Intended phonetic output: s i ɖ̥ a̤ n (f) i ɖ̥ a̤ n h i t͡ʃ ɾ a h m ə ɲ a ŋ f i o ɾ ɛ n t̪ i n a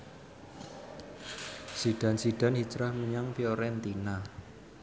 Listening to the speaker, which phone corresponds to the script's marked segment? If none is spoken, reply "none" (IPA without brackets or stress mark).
s